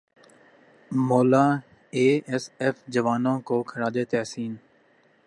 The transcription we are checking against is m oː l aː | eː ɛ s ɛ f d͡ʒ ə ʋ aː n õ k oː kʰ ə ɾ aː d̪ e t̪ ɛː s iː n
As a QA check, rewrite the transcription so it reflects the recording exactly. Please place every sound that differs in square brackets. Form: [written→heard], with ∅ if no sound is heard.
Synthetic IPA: m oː l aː | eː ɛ s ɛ f d͡ʒ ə ʋ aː n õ k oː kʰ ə ɾ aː d̪ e t̪ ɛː s iː n